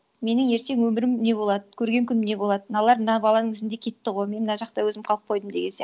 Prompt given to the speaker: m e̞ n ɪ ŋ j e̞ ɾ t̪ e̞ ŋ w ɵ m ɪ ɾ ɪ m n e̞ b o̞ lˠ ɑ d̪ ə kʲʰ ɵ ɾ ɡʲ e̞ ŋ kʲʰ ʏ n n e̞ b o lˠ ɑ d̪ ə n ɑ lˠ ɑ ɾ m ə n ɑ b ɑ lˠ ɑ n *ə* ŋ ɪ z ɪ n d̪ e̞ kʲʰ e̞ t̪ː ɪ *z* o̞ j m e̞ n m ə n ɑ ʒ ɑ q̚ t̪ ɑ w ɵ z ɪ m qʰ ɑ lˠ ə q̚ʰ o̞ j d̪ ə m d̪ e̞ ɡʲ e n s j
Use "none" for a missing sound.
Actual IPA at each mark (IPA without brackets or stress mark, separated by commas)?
ə, ʁ